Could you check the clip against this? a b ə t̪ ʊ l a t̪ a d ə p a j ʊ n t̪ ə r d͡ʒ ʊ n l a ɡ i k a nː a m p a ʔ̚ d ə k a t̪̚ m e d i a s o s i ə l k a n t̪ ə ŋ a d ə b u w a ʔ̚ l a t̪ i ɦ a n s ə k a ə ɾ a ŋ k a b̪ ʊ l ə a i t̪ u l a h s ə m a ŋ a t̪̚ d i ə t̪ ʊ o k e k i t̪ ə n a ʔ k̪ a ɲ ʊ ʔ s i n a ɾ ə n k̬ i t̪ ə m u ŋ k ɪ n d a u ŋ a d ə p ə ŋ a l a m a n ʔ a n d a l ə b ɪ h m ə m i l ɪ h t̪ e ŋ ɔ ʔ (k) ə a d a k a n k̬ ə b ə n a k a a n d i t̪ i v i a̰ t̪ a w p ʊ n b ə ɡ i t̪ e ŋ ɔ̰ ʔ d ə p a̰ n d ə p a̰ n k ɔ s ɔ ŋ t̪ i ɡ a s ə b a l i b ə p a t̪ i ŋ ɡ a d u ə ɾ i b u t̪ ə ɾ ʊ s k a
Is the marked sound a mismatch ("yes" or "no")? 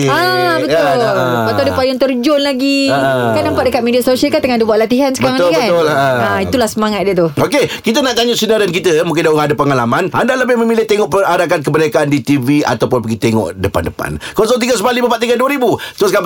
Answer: yes